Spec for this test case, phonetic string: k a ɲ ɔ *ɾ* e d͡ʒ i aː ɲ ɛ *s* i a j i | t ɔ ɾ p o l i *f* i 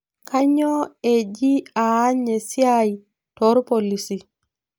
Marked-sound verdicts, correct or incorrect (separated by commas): incorrect, correct, incorrect